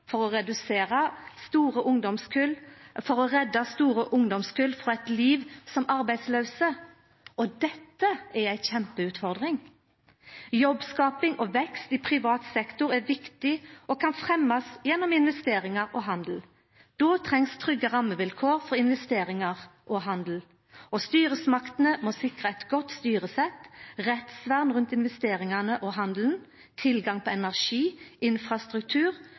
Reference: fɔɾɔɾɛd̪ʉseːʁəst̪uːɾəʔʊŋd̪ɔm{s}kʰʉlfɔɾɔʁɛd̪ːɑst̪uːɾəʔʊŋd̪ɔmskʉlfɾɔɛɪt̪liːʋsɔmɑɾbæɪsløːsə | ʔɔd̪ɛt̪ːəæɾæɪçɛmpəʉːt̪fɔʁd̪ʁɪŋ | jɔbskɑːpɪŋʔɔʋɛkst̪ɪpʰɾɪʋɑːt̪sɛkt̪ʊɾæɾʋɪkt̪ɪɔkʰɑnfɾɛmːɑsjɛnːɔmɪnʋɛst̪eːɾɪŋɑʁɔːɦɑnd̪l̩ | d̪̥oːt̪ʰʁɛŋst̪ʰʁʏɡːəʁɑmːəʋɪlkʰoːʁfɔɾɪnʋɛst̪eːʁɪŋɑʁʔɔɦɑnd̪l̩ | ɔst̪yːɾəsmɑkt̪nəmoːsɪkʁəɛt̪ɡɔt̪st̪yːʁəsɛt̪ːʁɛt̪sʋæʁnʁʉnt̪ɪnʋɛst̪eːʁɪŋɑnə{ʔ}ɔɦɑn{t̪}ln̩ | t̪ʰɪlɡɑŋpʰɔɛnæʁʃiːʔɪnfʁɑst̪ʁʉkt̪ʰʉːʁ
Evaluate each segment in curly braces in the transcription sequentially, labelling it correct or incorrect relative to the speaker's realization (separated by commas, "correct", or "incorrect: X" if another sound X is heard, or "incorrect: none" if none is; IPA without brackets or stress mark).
correct, correct, incorrect: d̪